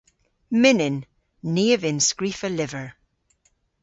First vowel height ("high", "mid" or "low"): high